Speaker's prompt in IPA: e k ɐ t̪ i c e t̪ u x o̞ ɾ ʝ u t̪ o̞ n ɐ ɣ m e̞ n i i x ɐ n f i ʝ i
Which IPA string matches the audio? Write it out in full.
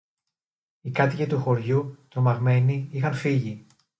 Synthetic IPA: i k ɐ t̪ i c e t̪ u x o̞ ɾ ʝ u t̪ o̞ m ɐ ɣ m e̞ n i i x ɐ n f i ʝ i

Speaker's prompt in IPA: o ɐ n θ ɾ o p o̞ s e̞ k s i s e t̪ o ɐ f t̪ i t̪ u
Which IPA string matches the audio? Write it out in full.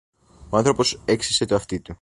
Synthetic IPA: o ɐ n θ ɾ o p o̞ s e̞ k s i s e t̪ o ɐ f t̪ i t̪ u

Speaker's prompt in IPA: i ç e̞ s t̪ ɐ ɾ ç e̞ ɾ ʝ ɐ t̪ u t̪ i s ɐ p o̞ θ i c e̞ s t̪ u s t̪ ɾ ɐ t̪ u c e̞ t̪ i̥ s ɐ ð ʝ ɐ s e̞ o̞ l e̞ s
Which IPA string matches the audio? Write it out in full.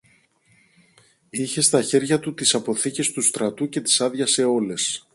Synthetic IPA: i ç e̞ s t̪ ɐ ç e̞ ɾ ʝ ɐ t̪ u t̪ i s ɐ p o̞ θ i c e̞ s t̪ u s t̪ ɾ ɐ t̪ u c e̞ t̪ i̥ s ɐ ð ʝ ɐ s e̞ o̞ l e̞ s

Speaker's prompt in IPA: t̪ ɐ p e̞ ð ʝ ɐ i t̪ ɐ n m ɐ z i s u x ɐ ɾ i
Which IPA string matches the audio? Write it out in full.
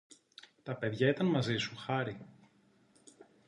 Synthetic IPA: t̪ ɐ p e̞ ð ʝ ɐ i t̪ ɐ n m ɐ z i s u x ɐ ɾ i

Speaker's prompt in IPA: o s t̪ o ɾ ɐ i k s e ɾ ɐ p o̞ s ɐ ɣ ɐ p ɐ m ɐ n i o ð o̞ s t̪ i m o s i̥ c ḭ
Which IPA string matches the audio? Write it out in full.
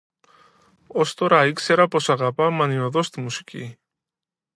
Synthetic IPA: o s t̪ o ɾ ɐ i k s e ɾ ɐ p o̞ s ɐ ɣ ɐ p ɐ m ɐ n i o ð o̞ s t̪ i m u s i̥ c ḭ

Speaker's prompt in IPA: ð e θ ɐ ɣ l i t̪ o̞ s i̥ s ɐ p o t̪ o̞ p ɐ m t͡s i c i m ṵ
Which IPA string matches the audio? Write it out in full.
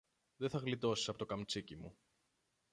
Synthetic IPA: ð e θ ɐ ɣ l i t̪ o̞ s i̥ s ɐ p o t̪ o̞ k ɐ m t͡s i c i m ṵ

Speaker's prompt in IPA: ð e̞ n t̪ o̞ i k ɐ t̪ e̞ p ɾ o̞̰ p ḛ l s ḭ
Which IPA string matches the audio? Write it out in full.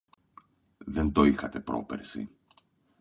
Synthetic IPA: ð e̞ n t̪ o̞ i x ɐ t̪ e̞ p ɾ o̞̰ p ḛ ɾ s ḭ

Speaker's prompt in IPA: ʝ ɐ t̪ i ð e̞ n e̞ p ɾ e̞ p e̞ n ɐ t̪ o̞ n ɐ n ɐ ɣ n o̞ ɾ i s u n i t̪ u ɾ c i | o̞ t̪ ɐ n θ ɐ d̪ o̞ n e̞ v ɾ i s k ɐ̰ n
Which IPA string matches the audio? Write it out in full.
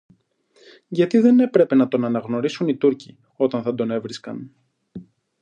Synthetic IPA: ʝ ɐ t̪ i ð e̞ n e̞ p ɾ e̞ p e̞ n ɐ t̪ o̞ n ɐ n ɐ ɣ n o̞ ɾ i s u n i t̪ u ɾ c i | o̞ t̪ ɐ n θ ɐ d̪ o̞ n e̞ v ɾ i s k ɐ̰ n

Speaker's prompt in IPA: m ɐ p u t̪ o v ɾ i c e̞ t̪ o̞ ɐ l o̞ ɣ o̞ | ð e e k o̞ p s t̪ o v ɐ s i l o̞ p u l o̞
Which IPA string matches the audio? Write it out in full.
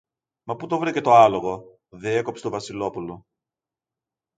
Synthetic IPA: m ɐ p u t̪ o v ɾ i c e̞ t̪ o̞ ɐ l o̞ ɣ o̞ | ð e e k o̞ p s t̪ o v ɐ s i l o̞ p u l o̞

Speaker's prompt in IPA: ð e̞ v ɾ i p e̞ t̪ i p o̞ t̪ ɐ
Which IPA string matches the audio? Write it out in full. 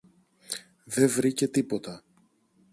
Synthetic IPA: ð e̞ v ɾ i c e̞ t̪ i p o̞ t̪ ɐ

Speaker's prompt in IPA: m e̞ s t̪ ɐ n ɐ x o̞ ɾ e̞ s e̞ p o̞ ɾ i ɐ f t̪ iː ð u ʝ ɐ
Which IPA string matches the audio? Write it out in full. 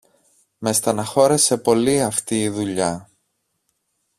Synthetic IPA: m e̞ s t̪ ɐ n ɐ x o̞ ɾ e̞ s e̞ p o̞ l i ɐ f t̪ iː ð u ʎ ɐ

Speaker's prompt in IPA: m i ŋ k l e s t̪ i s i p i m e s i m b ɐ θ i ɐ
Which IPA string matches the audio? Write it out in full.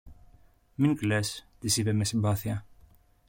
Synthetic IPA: m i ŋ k l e s t̪ i s i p e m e s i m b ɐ θ i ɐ

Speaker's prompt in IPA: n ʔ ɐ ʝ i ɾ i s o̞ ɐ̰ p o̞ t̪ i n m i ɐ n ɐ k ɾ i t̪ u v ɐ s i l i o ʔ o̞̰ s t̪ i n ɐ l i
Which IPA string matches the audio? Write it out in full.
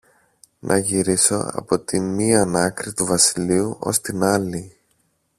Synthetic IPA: n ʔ ɐ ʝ i ɾ i s o̞ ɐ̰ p o̞ t̪ i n m i ɐ n ɐ k ɾ i t̪ u v ɐ s i l i u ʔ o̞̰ s t̪ i n ɐ l i

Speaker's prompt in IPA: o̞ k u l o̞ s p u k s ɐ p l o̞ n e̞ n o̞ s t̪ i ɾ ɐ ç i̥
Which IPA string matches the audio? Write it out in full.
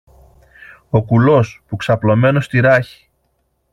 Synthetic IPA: o̞ k u l o̞ s p u k s ɐ p l o̞ m e̞ n o̞ s t̪ i ɾ ɐ ç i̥

